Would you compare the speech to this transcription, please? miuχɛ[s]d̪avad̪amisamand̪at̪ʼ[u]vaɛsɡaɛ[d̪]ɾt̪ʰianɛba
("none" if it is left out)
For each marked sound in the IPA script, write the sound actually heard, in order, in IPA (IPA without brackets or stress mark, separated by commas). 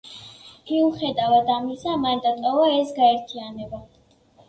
none, ɔ, none